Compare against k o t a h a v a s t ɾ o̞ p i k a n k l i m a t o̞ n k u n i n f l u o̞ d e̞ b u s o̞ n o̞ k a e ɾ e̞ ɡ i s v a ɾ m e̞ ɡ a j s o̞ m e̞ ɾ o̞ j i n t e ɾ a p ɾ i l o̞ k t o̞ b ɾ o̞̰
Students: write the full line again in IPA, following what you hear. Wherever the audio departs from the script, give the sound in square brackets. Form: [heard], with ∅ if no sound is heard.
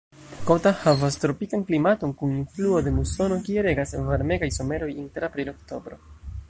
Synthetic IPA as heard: k o t a h a v a s t ɾ o̞ p i k a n k l i m a t o̞ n k u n i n f l u o̞ d e̞ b u s o̞ n o̞ k [i] e ɾ e̞ ɡ [a] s v a ɾ m e̞ ɡ a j s o̞ m e̞ ɾ o̞ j i n t e ɾ a p ɾ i l o̞ k t o̞ b ɾ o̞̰